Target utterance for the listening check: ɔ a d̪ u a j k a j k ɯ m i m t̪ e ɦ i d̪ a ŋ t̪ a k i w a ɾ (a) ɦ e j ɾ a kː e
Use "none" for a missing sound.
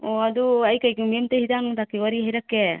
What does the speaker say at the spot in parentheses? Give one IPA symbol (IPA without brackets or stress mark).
i